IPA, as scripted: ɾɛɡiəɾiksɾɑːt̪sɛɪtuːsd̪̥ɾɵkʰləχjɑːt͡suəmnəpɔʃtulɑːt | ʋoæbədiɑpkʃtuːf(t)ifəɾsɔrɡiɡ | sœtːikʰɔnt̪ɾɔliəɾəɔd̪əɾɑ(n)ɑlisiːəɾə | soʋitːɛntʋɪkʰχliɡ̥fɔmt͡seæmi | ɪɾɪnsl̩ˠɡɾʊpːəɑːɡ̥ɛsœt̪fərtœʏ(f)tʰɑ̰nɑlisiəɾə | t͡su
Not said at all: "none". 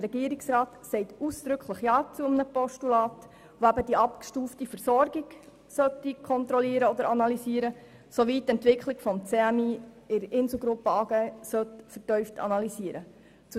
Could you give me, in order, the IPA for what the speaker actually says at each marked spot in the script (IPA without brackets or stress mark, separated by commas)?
t, n, f